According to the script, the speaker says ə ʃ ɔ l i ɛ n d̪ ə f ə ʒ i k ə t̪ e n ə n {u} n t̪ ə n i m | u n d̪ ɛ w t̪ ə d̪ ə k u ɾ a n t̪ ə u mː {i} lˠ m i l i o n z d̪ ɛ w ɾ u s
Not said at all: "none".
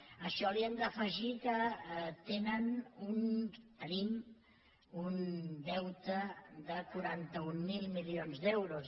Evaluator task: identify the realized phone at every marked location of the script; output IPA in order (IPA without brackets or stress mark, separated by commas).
u, i